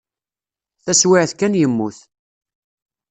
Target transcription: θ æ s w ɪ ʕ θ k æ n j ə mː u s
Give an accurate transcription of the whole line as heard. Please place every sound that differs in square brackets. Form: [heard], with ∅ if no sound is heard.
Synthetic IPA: θ æ s w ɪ ʕ θ k æ n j ə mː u [θ]